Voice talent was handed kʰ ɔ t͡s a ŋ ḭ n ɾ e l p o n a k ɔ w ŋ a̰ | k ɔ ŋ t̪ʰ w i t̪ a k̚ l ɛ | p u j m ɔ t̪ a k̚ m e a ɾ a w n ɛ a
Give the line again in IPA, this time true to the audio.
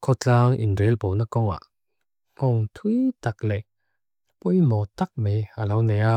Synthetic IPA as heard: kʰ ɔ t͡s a ŋ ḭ n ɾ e l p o n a k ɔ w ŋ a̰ | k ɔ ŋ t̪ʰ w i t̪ a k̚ l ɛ | p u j m ɔ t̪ a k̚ m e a l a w n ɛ a